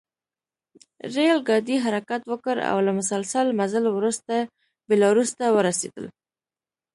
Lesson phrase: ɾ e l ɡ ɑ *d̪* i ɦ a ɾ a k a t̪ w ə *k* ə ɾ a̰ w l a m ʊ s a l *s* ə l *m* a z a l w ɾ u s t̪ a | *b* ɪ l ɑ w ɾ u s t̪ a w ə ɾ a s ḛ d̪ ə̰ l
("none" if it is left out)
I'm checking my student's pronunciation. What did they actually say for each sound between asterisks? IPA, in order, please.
d̪, k, s, m, b

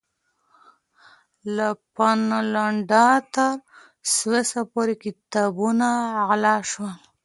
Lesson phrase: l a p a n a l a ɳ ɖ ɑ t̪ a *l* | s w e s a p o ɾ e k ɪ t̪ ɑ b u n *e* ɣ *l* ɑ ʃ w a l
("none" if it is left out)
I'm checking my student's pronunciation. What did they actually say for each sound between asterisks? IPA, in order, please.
ɾ, a, l

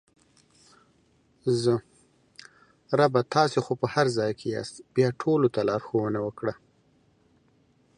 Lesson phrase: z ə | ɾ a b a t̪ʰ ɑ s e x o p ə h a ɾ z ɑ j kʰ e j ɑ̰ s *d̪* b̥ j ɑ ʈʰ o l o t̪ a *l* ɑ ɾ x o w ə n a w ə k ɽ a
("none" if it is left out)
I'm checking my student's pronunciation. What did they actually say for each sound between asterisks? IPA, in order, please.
t̪, l

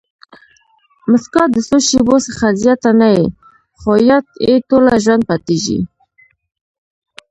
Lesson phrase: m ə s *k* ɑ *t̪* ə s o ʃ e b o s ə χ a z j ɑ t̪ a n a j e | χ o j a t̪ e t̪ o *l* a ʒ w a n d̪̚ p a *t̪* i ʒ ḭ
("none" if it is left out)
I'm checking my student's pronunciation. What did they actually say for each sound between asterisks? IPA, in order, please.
k, d̪, l, t̪

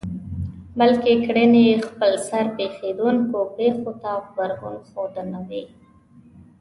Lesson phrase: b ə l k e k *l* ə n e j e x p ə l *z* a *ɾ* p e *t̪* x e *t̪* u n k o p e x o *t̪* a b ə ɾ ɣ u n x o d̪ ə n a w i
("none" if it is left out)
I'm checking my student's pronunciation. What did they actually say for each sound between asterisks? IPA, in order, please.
ɽ, s, ɾ, none, d̪, t̪

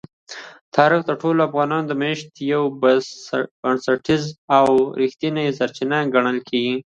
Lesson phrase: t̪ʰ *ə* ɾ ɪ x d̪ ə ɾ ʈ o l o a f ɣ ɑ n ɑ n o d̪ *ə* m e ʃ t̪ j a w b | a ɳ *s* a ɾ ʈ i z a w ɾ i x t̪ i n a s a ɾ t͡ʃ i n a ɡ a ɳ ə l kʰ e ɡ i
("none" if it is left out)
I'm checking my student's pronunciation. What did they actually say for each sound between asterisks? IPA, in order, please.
ɑ, ə, s

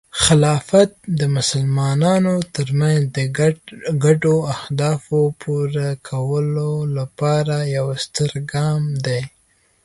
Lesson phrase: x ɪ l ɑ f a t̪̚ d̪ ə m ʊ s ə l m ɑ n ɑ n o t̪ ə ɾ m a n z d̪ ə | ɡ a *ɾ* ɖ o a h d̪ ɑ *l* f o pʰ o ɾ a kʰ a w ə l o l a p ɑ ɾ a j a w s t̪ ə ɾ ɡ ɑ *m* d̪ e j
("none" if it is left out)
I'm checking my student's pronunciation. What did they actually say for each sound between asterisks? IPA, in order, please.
none, none, m

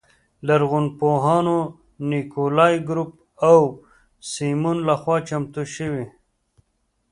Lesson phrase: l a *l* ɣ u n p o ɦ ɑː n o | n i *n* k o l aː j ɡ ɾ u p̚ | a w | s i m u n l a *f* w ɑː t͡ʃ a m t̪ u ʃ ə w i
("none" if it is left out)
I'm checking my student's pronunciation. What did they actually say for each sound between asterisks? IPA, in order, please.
ɾ, none, x

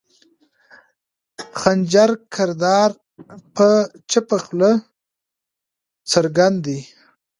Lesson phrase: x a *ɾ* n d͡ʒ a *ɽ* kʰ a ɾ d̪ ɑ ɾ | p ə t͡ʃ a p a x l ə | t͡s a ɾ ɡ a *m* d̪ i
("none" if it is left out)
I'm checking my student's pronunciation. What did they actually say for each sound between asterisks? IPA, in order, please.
none, ɾ, n

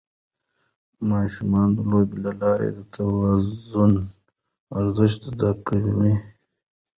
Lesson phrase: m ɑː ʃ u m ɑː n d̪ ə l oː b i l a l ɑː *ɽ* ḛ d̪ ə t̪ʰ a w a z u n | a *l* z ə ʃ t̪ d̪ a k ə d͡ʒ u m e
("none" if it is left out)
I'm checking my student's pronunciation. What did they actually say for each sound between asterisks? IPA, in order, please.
ɾ, ɾ

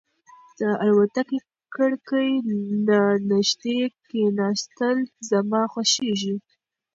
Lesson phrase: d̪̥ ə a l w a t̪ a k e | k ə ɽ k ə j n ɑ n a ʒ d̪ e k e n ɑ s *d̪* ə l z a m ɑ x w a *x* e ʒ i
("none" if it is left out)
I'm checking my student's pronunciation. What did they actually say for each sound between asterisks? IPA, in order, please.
t̪, ʃ

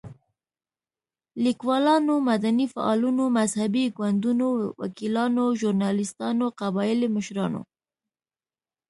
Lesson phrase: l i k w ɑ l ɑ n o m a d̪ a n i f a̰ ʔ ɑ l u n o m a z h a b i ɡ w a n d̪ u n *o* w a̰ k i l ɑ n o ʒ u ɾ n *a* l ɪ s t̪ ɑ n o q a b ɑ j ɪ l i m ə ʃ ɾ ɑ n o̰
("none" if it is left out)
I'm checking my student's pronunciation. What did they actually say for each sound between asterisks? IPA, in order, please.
o, ɑ

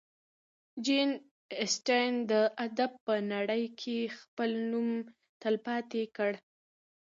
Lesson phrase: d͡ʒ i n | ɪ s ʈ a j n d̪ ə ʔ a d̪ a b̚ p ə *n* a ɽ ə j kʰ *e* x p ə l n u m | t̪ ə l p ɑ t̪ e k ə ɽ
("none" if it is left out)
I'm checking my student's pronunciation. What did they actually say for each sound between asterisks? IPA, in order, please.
n, e

